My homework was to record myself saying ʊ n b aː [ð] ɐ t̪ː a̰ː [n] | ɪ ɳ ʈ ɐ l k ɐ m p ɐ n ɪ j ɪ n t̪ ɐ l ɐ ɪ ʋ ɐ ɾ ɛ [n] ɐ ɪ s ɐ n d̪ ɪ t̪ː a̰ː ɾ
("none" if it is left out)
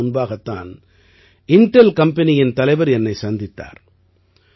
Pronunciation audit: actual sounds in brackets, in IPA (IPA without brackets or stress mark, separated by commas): ɣ, n, nː